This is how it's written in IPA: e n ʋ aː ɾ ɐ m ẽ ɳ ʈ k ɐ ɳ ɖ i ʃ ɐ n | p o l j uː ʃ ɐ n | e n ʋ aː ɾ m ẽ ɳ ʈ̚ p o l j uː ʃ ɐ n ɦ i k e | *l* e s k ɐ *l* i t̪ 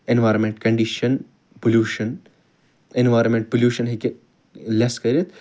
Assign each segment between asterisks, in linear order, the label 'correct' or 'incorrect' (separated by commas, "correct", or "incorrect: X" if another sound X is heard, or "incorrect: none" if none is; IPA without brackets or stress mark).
correct, incorrect: ɾ